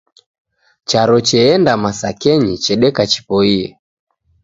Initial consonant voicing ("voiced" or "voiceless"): voiceless